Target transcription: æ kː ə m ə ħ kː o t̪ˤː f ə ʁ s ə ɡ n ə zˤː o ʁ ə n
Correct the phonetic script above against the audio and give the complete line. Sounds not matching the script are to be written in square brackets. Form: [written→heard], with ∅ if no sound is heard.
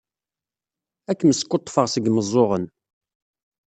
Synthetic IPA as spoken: æ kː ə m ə [ħ→s] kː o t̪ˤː f ə ʁ s ə ɡ [n→m] ə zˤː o ʁ ə n